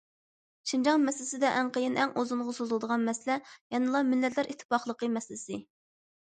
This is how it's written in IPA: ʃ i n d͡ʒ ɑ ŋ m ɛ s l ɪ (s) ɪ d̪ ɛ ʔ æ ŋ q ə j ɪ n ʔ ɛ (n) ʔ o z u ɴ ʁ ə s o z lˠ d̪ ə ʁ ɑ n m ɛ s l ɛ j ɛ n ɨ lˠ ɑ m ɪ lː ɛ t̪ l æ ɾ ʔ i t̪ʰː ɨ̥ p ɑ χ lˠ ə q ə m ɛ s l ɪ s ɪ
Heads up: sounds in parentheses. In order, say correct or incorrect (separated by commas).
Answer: correct, incorrect